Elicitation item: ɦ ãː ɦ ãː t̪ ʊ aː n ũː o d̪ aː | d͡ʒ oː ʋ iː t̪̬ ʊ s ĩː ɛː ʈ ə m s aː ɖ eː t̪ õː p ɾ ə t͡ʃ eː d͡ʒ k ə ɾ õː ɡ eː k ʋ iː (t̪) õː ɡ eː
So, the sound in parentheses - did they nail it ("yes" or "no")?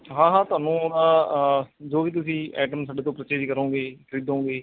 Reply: no